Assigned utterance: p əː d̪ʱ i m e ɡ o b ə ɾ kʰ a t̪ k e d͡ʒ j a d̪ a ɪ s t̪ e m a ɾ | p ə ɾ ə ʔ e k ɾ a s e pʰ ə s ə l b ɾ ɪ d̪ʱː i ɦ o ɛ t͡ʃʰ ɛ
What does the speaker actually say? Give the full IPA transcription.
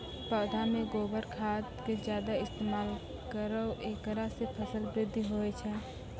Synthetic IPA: p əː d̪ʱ a m e ɡ o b ə ɾ kʰ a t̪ k e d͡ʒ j a d̪ a ɪ s t̪ e m a l | k ə ɾ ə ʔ e k ɾ a s e pʰ ə s ə l b ɾ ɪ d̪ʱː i ɦ o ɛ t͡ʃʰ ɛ